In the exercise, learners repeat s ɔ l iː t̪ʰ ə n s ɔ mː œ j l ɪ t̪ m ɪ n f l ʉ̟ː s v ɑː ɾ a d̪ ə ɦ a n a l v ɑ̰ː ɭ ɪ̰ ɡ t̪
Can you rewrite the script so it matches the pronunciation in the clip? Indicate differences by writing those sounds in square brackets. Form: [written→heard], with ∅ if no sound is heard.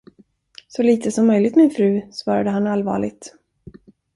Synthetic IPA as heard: s ɔ l iː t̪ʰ ə [n→∅] s ɔ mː œ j l ɪ t̪ m ɪ n f [l→ɾ] ʉ̟ː s v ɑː ɾ a d̪ ə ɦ a n a l v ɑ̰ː ɭ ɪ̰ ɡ t̪